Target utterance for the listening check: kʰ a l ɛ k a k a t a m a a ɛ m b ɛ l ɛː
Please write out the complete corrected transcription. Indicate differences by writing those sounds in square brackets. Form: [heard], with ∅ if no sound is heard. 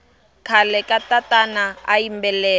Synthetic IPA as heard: kʰ a l ɛ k a [t] a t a [n] a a [i] m b ɛ l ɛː

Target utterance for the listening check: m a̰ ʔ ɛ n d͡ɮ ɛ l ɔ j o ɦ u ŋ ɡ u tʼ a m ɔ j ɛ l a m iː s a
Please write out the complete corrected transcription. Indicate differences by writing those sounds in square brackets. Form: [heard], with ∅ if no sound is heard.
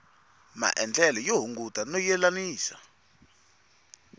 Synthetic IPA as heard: m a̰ ʔ ɛ n d͡ɮ ɛ l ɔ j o ɦ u ŋ ɡ u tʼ a [n] ɔ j ɛ l a [n] iː s a

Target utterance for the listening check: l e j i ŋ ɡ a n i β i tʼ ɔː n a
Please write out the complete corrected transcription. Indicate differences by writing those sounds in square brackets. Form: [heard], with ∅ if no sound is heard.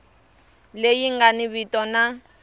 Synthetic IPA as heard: l e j i ŋ ɡ a n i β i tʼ [ɔ] n a

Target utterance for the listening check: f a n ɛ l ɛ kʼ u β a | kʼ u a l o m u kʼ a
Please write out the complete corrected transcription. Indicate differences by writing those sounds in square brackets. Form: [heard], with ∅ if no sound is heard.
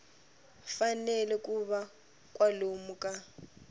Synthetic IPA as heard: f a n ɛ l ɛ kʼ u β a | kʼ [w] a l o m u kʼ a

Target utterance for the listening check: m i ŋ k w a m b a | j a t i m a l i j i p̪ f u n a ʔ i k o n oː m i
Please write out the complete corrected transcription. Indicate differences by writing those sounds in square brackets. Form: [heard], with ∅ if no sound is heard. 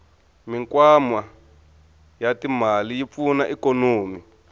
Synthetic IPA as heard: m i ŋ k w a m [w] a | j a t i m a l i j i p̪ f u n a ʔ i k o n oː m i

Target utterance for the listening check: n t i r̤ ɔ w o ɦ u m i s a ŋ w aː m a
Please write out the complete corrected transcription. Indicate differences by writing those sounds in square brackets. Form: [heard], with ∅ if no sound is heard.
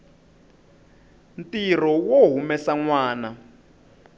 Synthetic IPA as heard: n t i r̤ ɔ w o ɦ u m [ɛ] s a ŋ w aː [n] a

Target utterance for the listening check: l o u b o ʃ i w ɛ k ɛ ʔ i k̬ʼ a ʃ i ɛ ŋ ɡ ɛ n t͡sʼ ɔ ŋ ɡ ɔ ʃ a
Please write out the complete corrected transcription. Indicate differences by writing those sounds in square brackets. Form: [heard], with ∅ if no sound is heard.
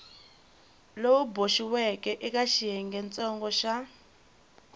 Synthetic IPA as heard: l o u b o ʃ i w ɛ k ɛ ʔ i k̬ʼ a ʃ i ɛ ŋ ɡ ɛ n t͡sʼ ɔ ŋ ɡ ɔ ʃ a

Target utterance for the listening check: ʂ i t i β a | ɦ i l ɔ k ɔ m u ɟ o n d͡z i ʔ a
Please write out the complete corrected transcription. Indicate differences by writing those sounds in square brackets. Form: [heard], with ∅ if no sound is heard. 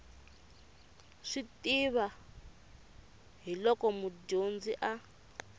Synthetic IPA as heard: ʂ i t i β a | ɦ i l ɔ k ɔ m u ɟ o n d͡z i ʔ a

